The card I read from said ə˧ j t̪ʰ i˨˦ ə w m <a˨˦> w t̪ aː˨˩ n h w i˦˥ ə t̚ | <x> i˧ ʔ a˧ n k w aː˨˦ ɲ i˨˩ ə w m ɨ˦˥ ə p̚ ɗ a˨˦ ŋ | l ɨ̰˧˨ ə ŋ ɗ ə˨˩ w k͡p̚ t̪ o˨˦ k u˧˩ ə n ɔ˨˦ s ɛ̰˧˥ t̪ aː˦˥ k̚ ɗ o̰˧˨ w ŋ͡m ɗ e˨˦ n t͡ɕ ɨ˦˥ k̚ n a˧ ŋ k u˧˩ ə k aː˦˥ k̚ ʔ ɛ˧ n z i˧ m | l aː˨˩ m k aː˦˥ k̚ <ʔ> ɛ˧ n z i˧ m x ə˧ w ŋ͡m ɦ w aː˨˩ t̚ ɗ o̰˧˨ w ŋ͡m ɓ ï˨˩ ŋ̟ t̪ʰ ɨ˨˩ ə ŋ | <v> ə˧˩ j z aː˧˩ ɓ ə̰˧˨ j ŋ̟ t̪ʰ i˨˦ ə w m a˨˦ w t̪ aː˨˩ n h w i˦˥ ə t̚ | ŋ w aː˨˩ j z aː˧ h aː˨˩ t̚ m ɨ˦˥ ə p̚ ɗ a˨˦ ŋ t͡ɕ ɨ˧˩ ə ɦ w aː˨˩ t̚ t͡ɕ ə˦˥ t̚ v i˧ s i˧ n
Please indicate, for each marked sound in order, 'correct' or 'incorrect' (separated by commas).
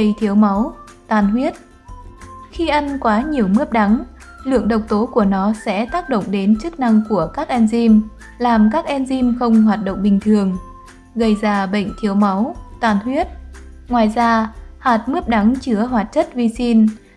correct, correct, correct, incorrect